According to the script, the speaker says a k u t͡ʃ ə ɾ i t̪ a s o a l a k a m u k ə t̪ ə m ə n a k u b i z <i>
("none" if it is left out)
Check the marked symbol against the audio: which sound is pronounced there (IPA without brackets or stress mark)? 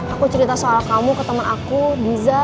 a